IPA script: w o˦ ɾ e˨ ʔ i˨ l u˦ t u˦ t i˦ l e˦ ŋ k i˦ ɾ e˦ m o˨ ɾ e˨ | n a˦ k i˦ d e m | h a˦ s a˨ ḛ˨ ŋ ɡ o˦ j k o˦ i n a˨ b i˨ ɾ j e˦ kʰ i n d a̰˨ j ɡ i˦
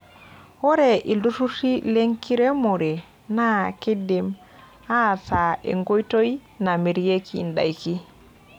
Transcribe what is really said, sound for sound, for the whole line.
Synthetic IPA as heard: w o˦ ɾ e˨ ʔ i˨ l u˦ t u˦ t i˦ l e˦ ŋ k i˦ ɾ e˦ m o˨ ɾ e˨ | n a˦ k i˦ d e m | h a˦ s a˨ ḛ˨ ŋ ɡ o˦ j t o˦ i n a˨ m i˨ ɾ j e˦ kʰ i n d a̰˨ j k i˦